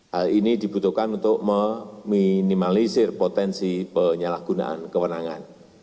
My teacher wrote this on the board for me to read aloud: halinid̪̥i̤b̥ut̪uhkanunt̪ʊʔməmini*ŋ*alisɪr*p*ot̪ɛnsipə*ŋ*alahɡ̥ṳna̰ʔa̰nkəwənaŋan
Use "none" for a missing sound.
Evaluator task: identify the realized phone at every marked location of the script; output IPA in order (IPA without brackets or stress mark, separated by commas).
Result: m, p, ɲ